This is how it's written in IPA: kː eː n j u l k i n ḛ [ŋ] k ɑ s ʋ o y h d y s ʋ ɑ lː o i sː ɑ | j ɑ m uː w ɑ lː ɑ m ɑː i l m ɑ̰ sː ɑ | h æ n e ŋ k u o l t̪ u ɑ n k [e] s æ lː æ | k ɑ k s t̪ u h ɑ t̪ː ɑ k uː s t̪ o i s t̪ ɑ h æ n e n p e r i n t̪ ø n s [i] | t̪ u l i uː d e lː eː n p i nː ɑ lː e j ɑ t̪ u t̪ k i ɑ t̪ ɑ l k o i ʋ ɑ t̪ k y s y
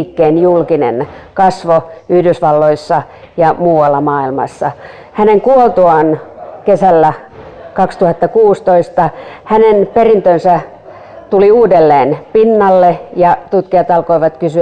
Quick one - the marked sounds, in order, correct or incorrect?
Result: incorrect, correct, incorrect

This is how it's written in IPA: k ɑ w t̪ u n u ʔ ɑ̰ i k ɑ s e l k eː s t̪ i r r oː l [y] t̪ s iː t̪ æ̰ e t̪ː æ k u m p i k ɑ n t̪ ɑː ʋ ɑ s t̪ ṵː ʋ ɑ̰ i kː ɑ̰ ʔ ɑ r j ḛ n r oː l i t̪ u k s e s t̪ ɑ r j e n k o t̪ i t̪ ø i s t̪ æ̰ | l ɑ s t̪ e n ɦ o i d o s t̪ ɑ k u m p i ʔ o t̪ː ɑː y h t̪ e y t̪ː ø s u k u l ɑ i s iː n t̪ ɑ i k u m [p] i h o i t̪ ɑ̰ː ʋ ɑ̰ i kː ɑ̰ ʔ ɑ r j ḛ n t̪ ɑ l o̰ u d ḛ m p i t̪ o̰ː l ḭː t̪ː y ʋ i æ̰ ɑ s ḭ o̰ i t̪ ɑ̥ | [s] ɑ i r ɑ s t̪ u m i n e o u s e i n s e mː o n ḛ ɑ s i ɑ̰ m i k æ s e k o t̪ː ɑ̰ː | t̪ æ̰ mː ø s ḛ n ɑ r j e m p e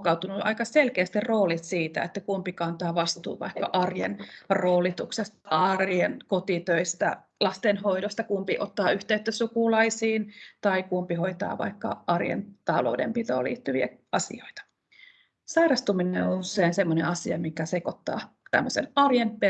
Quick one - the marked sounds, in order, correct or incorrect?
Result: incorrect, correct, correct

